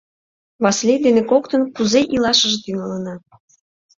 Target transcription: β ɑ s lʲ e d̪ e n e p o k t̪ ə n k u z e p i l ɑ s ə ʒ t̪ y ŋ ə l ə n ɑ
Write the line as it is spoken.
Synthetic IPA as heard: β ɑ s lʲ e d̪ e n e k o k t̪ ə n k u z e ʔ i l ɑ ʃ ə ʒ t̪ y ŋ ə l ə n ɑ